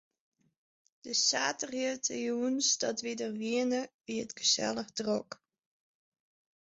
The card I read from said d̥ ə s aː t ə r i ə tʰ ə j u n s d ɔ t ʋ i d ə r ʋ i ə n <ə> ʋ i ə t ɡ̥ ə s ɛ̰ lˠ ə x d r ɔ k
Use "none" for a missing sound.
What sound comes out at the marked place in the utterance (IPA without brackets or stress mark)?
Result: ə